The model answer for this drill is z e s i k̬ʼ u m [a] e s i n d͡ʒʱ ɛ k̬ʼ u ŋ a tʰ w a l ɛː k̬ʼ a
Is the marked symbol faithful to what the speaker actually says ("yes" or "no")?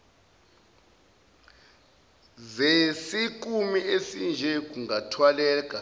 no